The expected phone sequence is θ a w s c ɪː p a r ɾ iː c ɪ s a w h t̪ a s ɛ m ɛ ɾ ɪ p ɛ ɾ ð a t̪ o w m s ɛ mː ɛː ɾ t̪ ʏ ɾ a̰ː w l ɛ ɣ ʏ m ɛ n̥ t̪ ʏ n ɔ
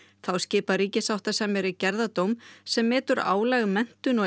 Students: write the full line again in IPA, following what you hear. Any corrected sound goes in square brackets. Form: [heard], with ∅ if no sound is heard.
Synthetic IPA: θ a w s c ɪː p a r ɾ iː c ɪ s a w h t̪ a s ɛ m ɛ ɾ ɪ [c] ɛ ɾ ð a t̪ o w m s ɛ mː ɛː [∅] t̪ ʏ ɾ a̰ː w l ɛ ɣ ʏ m ɛ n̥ t̪ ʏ n ɔ